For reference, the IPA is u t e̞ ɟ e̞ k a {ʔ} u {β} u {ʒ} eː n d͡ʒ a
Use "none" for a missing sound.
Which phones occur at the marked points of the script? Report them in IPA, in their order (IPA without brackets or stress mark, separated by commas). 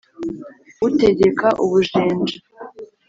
ʔ, β, ʒ